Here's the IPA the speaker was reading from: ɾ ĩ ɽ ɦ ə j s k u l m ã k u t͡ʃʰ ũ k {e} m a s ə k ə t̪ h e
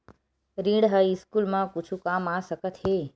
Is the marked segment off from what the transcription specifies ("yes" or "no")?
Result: yes